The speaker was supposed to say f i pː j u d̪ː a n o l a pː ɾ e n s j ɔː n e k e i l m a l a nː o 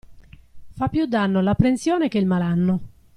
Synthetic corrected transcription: f a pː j u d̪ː a nː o l a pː ɾ e n s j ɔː n e k e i l m a l a nː o